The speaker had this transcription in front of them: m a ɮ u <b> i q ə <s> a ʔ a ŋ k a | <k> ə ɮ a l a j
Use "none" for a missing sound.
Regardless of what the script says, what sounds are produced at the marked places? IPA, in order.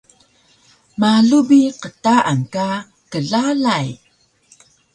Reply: b, t, k

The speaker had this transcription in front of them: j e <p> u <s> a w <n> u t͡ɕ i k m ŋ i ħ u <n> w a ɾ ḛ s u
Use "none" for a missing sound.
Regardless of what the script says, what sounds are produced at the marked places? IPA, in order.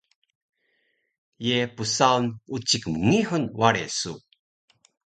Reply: p, s, n, n

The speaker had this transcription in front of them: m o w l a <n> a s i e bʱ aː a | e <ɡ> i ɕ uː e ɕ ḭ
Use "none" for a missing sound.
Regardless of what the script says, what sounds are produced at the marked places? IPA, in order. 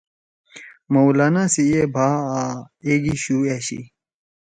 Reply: n, ɡ

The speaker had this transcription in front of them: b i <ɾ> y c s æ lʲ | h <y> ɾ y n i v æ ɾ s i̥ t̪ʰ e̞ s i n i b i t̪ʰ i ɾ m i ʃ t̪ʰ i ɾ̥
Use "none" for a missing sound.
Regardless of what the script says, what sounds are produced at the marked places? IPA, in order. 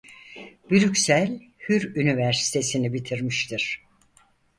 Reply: ɾ, y

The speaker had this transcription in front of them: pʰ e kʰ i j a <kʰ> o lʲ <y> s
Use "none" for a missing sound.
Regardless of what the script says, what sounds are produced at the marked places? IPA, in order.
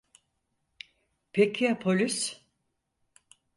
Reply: pʰ, y

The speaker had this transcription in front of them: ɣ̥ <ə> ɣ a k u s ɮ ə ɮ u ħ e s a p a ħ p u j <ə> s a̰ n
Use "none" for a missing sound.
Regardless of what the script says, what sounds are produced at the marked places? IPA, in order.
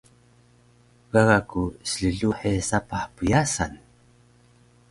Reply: a, a

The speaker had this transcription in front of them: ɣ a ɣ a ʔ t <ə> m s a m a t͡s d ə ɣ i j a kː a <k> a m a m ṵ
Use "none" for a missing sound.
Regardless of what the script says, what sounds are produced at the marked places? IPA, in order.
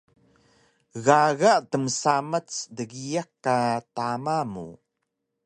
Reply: ə, t

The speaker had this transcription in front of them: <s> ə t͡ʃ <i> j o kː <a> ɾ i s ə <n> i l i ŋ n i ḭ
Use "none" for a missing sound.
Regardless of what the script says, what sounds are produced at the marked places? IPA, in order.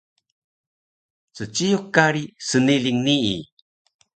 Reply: t͡s, i, a, n

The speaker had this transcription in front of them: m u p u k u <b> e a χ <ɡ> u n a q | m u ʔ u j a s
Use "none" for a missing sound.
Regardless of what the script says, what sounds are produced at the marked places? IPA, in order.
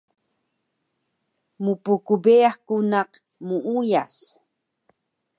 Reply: b, k

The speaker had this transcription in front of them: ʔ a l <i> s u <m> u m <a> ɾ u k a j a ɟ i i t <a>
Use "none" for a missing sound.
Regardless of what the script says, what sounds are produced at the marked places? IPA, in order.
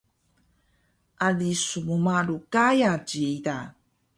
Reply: i, m, a, a

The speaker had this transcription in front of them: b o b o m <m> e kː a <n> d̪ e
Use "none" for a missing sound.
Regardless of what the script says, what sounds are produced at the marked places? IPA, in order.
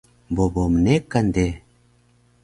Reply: n, n

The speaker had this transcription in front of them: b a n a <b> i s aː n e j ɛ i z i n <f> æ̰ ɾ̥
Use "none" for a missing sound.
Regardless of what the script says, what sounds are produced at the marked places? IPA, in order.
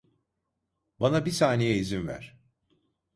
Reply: b, v

